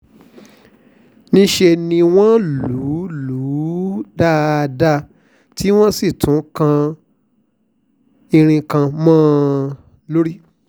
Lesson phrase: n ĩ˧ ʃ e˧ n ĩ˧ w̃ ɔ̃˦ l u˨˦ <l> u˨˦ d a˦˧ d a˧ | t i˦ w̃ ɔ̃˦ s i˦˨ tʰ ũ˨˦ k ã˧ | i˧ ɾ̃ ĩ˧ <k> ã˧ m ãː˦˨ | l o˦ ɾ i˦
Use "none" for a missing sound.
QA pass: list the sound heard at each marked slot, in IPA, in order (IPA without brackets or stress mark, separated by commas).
l, k